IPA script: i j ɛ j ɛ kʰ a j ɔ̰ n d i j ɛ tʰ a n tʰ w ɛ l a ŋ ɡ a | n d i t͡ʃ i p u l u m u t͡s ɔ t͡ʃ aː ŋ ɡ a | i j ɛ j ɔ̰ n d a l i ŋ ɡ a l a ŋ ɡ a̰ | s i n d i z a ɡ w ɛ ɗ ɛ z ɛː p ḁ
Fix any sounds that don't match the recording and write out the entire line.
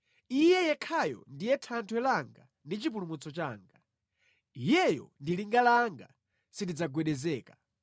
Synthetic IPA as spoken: i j ɛ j ɛ kʰ a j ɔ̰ n d i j ɛ tʰ a n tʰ w ɛ l a ŋ ɡ a | n d i t͡ʃ i p u l u m u t͡s ɔ t͡ʃ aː ŋ ɡ a | i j ɛ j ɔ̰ n d i l i ŋ ɡ a l a ŋ ɡ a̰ | s i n d i d͡z a ɡ w ɛ ɗ ɛ z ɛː k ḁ